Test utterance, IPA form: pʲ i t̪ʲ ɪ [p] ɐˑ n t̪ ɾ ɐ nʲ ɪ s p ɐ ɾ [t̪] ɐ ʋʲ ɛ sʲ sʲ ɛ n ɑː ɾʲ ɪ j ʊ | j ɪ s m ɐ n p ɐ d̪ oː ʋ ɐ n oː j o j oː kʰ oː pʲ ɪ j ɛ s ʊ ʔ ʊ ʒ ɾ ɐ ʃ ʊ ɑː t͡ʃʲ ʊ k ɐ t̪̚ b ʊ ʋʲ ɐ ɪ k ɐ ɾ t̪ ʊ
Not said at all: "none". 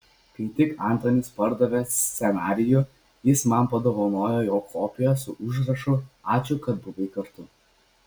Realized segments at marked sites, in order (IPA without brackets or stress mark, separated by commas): k, d̪